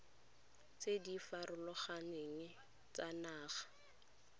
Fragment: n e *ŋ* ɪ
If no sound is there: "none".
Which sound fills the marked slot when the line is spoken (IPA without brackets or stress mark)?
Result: ŋ